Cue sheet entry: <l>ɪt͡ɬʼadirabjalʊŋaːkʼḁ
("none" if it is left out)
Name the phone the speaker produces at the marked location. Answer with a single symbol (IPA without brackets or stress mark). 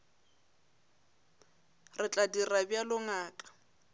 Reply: r